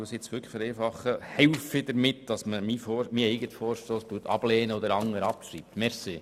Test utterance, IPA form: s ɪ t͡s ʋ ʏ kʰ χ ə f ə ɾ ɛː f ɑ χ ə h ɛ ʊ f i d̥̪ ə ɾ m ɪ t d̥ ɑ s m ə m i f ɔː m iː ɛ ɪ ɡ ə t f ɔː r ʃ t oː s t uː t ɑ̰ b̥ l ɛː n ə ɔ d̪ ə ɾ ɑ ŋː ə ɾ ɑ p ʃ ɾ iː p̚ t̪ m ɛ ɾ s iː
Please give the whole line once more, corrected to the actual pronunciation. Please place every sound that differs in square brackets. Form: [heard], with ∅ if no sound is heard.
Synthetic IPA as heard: s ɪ t͡s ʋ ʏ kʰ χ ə f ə ɾ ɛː f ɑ χ ə h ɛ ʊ f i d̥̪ ə ɾ m ɪ t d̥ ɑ s m ə m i f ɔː m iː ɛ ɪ ɡ ə t f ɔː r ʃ t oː s t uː t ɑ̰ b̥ l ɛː n ə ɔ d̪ ə ɾ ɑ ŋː ə ɾ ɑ p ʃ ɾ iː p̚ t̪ m ɛ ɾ s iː